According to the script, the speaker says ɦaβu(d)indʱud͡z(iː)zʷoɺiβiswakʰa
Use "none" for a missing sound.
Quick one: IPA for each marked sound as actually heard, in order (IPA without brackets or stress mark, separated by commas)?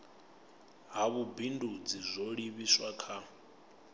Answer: b, i